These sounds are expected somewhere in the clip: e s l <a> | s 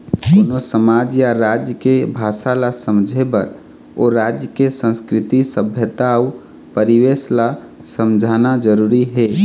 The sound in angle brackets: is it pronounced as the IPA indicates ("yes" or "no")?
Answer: yes